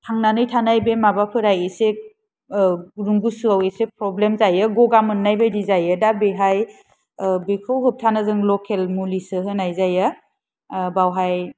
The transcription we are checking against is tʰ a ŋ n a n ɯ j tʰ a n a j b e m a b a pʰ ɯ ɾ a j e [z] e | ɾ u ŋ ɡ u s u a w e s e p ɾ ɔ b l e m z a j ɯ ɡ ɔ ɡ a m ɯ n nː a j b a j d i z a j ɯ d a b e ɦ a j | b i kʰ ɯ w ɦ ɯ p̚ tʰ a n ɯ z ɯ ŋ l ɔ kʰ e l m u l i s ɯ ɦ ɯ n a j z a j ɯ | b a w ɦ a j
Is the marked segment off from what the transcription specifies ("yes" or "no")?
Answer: yes